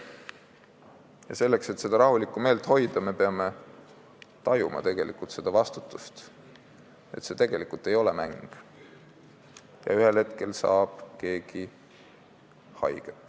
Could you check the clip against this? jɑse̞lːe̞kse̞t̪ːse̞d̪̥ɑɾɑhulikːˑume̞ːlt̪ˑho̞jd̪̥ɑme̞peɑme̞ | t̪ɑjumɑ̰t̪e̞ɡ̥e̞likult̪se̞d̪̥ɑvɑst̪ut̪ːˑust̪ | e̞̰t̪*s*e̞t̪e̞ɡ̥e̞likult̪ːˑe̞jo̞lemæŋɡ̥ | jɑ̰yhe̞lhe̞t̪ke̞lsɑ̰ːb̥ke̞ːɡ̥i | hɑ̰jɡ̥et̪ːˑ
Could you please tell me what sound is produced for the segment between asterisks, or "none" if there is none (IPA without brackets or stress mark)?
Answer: s